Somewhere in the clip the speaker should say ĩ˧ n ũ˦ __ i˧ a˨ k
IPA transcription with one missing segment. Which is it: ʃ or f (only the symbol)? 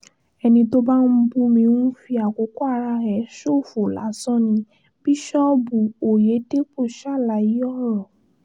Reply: f